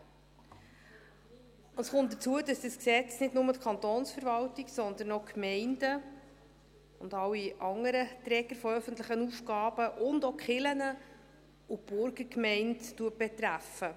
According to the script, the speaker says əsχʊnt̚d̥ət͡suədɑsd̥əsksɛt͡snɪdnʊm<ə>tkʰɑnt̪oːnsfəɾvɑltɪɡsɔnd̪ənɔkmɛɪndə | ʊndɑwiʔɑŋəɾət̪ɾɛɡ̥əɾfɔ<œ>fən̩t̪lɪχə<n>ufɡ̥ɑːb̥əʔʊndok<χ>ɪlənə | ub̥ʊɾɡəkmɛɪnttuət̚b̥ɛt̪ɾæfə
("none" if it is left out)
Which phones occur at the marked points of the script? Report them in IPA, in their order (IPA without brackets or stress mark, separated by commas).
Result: ə, œ, n, χ